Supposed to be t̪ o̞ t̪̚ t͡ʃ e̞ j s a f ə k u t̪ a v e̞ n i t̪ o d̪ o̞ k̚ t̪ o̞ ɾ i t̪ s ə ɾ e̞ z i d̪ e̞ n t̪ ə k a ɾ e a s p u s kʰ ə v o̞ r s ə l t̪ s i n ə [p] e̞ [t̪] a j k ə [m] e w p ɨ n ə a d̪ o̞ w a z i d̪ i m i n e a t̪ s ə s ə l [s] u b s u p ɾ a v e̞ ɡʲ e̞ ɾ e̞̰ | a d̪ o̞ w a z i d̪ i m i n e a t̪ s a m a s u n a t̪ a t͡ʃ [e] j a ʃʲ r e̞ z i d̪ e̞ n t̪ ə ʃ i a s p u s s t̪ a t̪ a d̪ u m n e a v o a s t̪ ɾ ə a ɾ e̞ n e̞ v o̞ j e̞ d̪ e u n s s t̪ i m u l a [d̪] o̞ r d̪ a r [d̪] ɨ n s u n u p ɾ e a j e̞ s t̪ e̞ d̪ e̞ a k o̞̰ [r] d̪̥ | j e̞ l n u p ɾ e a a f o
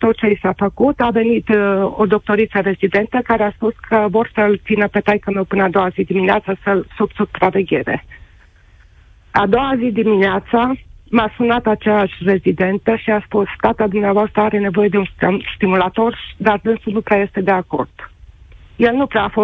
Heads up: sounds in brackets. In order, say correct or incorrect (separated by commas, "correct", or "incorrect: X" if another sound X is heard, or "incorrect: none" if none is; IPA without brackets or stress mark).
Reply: correct, correct, correct, correct, correct, incorrect: t̪, correct, correct